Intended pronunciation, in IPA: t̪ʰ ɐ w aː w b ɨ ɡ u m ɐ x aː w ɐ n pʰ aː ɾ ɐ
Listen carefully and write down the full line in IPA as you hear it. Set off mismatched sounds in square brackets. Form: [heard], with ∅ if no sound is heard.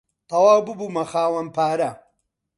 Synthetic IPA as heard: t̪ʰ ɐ w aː w b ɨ [b] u m ɐ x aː w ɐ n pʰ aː ɾ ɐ